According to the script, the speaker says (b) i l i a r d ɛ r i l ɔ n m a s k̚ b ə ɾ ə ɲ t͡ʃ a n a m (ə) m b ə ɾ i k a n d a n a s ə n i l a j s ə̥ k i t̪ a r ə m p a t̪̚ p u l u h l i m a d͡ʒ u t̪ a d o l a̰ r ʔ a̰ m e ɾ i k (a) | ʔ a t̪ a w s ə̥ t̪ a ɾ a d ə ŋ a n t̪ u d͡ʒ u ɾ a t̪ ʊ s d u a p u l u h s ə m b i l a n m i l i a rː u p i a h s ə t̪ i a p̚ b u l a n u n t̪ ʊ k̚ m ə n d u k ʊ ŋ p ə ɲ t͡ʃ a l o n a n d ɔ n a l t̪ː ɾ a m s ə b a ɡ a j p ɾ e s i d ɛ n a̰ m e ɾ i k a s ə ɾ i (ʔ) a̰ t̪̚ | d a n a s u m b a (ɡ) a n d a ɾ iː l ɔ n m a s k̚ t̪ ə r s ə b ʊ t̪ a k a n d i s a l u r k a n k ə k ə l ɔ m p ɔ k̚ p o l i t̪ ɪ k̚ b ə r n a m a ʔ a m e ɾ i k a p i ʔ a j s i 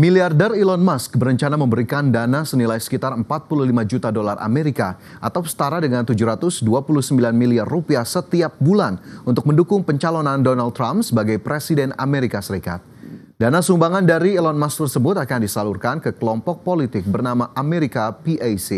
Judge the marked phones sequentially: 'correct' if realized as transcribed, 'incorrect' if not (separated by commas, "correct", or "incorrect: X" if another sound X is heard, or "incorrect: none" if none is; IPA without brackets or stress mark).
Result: incorrect: m, correct, correct, incorrect: k, incorrect: ŋ